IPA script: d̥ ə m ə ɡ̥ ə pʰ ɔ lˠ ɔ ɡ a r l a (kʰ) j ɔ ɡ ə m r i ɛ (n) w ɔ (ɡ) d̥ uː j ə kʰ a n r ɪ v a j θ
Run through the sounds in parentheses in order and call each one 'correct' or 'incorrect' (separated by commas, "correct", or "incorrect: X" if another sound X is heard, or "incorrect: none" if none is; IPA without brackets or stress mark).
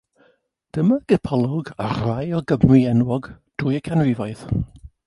incorrect: none, correct, correct